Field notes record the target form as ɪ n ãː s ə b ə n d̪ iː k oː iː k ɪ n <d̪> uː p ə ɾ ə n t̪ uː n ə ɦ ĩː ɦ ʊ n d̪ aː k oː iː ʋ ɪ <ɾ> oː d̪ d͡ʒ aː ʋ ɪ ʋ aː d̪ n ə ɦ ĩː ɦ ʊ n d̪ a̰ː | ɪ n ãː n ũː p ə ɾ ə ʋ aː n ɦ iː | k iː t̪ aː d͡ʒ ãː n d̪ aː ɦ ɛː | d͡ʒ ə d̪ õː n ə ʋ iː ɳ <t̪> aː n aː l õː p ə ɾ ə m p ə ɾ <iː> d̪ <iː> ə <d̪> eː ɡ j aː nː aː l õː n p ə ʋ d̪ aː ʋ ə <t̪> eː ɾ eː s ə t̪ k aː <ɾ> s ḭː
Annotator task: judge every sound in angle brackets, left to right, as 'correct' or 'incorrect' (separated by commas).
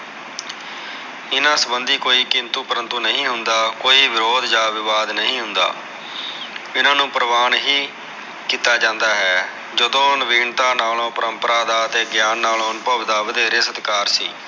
incorrect, correct, correct, incorrect, incorrect, incorrect, incorrect, correct